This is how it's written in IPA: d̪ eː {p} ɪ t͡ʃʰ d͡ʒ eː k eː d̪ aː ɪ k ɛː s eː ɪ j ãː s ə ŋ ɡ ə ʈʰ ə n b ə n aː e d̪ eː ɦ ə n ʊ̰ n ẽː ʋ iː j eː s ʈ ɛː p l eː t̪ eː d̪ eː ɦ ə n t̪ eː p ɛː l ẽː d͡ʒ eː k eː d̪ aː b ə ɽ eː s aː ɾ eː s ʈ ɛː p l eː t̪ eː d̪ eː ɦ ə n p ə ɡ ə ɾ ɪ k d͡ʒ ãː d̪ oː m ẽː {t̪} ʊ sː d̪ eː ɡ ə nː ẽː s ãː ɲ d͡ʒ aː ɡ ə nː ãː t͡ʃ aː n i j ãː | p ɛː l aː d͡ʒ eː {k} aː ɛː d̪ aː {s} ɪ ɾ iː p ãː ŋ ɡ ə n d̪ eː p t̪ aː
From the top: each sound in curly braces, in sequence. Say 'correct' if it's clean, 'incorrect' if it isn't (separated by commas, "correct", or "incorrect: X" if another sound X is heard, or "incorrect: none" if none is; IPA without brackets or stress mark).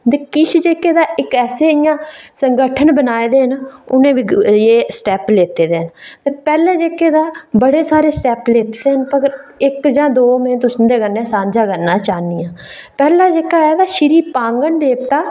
incorrect: k, correct, correct, incorrect: ʃ